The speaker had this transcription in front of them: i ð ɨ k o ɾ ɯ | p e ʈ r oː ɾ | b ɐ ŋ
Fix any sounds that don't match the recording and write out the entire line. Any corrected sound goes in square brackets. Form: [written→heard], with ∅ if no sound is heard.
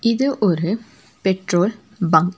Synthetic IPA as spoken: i ð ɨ [k→ʔ] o ɾ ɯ | p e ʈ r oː [ɾ→l] | b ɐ ŋ